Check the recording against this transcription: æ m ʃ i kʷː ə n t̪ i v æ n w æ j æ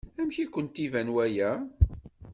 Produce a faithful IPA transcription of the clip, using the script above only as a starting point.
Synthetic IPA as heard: æ m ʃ i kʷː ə n t̪ i v æ n w æ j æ